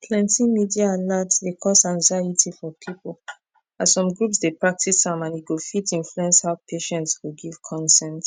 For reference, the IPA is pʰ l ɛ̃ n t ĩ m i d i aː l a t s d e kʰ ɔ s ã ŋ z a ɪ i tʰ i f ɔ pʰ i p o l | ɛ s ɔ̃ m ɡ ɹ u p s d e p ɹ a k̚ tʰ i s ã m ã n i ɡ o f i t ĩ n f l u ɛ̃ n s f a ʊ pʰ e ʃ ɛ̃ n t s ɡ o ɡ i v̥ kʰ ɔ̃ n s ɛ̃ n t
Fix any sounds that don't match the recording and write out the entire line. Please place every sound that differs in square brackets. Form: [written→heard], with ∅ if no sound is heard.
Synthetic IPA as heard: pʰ l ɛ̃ n t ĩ m i d i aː l a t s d e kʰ ɔ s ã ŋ z a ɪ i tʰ i f ɔ pʰ i p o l | [ɛ→a] s ɔ̃ m ɡ ɹ u p s d e p ɹ a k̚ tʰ i s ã m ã n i ɡ o f i t ĩ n f l u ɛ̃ n s [f→h] a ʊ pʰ e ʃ ɛ̃ n t s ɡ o ɡ i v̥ kʰ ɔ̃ n s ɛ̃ n t